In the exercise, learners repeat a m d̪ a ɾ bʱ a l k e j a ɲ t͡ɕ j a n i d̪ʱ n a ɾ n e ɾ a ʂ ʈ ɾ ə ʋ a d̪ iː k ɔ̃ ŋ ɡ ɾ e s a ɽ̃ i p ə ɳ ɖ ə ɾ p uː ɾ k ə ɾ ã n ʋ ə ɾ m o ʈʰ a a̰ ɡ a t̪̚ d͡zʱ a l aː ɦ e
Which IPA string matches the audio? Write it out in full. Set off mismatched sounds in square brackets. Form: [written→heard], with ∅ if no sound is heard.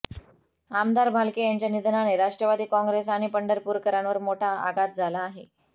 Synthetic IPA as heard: a m d̪ a ɾ bʱ a l k e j a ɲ t͡ɕ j a n i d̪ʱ n a [ɾ→∅] n e ɾ a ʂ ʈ ɾ ə ʋ a d̪ iː k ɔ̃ ŋ ɡ ɾ e s a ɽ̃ i p ə ɳ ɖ ə ɾ p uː ɾ k ə ɾ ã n ʋ ə ɾ m o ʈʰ a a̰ ɡ a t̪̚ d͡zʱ a l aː ɦ e